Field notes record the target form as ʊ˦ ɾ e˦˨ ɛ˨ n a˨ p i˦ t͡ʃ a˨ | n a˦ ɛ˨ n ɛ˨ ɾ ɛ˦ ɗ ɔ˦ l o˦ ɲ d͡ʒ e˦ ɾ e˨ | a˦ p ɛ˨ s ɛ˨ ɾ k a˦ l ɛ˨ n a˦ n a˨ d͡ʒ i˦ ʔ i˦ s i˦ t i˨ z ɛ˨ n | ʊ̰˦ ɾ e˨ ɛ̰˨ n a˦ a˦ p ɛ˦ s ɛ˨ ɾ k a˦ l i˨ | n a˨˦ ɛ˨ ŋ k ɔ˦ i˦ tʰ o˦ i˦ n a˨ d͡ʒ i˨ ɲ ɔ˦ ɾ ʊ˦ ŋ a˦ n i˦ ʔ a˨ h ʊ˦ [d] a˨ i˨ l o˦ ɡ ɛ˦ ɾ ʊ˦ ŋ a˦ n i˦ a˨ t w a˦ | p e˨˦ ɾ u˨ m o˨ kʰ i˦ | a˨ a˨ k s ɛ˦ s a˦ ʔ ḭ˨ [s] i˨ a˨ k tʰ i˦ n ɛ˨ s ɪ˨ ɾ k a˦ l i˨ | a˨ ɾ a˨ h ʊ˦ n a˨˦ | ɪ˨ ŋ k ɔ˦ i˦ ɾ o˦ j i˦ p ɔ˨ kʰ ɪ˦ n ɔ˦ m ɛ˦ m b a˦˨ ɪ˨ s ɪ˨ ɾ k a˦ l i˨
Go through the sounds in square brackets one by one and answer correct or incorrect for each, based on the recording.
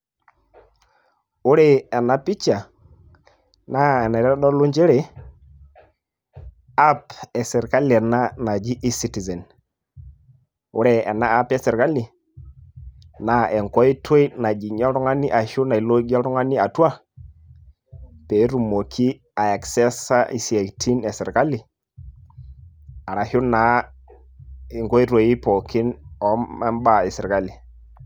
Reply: incorrect: n, correct

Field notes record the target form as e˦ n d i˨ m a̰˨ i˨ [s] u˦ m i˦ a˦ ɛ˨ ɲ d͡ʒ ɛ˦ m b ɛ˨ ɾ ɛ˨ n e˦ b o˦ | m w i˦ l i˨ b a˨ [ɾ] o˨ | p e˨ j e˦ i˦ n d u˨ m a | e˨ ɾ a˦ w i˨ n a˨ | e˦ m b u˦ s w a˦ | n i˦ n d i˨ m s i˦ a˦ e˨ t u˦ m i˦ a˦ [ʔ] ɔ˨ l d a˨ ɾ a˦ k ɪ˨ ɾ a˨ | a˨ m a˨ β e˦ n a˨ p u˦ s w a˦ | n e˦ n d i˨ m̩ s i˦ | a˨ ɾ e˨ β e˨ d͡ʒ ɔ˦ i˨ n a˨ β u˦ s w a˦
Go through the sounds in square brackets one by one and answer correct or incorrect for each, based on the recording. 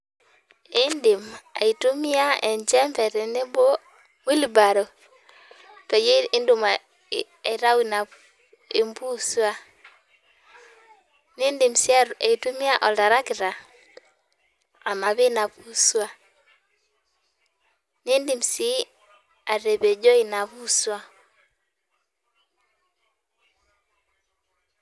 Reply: incorrect: t, correct, correct

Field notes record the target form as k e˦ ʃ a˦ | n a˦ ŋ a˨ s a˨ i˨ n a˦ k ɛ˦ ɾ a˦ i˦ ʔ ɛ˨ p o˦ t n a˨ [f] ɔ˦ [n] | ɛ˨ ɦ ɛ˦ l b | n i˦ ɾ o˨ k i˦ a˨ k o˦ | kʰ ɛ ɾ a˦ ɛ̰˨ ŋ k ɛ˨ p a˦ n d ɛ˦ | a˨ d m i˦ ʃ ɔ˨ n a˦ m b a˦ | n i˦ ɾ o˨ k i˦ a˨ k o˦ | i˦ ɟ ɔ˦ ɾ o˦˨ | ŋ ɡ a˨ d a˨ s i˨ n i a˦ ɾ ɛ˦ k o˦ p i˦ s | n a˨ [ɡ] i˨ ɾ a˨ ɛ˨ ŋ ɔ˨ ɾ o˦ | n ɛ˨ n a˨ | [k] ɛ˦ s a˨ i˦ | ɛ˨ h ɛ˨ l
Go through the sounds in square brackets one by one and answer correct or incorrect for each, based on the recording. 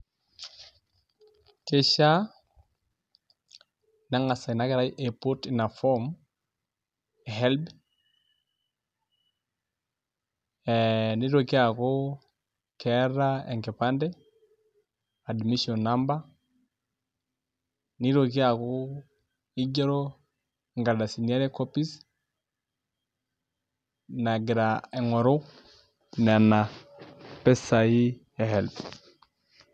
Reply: correct, incorrect: m, correct, incorrect: p

